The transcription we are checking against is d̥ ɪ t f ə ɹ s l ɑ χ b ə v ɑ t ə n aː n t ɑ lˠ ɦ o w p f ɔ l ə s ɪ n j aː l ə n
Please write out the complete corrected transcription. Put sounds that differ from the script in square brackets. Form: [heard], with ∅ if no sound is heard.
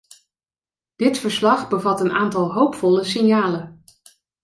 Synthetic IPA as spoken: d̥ ɪ t f ə ɹ s l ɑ χ b ə v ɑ t ə n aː n t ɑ lˠ ɦ o w p f ɔ l ə s ɪ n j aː l ə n